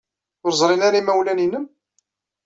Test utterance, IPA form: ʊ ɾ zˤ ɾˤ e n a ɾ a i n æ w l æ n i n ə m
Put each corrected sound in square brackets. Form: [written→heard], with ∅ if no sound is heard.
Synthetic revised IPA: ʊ ɾ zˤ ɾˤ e n a ɾ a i [n→m] æ w l æ n i n ə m

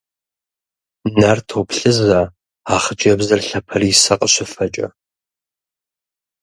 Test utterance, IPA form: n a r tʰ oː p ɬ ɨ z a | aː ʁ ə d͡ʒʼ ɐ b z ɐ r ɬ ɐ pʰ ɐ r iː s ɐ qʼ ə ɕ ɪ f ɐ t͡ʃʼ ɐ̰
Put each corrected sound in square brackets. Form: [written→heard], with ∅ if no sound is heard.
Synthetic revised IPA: n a r tʰ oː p ɬ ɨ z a | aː [ʁ→χ] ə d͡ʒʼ ɐ b z ɐ r ɬ ɐ pʰ ɐ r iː s ɐ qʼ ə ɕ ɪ f ɐ t͡ʃʼ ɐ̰

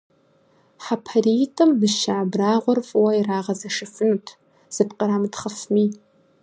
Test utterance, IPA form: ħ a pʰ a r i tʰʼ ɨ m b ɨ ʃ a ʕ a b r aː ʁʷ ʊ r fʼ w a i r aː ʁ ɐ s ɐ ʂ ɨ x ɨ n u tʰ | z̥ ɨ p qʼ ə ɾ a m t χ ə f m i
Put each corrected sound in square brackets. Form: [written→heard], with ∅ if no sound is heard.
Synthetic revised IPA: ħ a pʰ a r i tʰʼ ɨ m b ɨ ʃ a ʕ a b r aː ʁʷ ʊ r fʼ w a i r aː ʁ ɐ [s→z] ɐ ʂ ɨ [x→f] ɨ n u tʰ | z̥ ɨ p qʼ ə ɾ a m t χ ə f m i

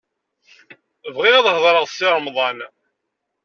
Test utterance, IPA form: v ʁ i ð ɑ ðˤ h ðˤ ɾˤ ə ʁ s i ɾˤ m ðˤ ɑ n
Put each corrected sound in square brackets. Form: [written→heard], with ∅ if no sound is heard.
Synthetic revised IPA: v ʁ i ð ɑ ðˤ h ðˤ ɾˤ ə ʁ s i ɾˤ m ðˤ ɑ n

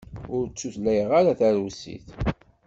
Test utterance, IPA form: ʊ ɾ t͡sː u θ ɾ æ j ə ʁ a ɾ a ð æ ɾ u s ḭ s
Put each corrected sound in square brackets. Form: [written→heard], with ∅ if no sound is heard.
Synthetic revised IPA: ʊ ɾ t͡sː u θ [ɾ→l] æ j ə ʁ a ɾ a [ð→θ] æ ɾ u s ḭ [s→θ]

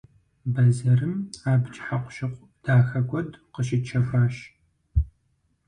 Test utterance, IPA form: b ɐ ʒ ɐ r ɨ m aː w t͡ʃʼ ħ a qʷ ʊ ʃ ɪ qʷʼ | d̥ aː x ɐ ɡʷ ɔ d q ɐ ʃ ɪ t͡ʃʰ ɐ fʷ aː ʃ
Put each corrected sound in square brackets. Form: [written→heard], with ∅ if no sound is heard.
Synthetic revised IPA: b ɐ [ʒ→z] ɐ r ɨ m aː [w→b] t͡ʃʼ ħ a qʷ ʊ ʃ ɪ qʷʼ | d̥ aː x ɐ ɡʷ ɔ d q [ɐ→ə] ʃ ɪ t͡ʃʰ ɐ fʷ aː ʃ

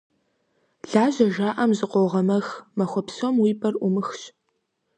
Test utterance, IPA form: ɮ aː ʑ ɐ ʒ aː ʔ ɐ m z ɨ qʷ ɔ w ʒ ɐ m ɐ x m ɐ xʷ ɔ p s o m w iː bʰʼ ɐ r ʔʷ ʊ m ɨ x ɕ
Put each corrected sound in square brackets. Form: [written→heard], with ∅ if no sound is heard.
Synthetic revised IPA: ɮ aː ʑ ɐ ʒ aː ʔ ɐ m z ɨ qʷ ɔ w [ʒ→ʁ] ɐ m ɐ x m ɐ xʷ ɔ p s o m w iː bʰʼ ɐ r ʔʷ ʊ m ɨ x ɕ

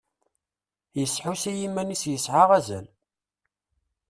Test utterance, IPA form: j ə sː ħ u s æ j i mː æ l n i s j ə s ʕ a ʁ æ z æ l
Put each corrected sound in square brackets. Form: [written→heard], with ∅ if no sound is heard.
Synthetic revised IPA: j ə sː ħ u s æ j i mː æ [l→∅] n i s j ə s ʕ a ʁ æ z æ l

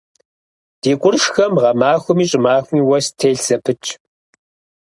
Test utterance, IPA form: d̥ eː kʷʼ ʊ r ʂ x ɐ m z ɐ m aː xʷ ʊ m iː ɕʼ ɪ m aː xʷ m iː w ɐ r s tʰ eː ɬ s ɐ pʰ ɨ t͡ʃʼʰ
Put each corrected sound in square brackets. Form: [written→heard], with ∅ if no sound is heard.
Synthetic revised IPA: d̥ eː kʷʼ ʊ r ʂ x ɐ m [z→ʁ] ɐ m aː xʷ ʊ m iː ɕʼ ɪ m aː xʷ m iː w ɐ [r→∅] s tʰ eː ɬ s ɐ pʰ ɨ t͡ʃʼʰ

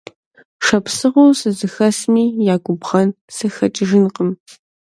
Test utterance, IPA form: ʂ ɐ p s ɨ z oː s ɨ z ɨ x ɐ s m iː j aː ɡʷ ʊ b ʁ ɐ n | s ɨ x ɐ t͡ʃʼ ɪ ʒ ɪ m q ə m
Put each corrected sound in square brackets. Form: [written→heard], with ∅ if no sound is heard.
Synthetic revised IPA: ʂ ɐ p s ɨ [z→ʁ] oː s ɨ z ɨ x ɐ s m iː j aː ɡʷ ʊ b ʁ ɐ n | s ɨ x ɐ t͡ʃʼ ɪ ʒ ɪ [m→n] q ə m

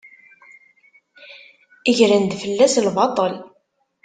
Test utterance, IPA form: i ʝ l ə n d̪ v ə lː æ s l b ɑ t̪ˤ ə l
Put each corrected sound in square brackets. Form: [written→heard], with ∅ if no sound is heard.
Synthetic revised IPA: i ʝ [l→ɾ] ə n d̪ [v→f] ə lː æ s l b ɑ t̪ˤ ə l

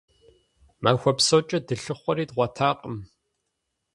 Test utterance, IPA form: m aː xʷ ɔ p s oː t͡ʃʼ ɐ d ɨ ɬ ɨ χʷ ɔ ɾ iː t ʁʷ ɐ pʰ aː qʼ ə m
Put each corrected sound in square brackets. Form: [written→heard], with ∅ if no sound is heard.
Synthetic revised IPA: m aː xʷ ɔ p s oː t͡ʃʼ ɐ d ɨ ɬ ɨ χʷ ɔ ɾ iː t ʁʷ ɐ [pʰ→tʰ] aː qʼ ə m

